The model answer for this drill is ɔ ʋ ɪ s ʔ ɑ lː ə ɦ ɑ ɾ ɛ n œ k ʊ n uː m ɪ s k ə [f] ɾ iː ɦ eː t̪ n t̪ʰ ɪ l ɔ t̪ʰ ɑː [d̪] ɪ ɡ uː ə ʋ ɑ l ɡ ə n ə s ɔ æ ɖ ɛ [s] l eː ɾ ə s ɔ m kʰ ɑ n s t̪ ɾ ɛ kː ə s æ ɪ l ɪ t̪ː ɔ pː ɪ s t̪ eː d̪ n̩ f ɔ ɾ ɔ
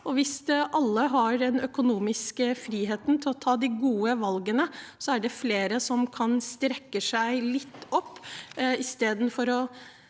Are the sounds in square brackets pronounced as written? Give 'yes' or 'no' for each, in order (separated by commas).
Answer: yes, yes, no